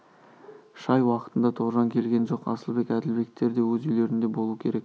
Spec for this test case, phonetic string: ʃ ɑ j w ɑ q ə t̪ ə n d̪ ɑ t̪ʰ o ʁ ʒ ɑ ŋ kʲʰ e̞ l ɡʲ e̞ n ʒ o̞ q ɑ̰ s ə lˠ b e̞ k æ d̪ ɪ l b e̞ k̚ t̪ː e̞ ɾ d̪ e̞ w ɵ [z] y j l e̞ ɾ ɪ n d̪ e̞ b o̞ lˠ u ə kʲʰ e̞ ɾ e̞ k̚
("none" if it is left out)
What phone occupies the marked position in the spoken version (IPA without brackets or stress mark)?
z